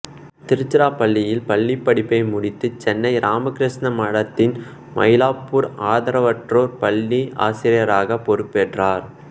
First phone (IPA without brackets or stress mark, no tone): t̪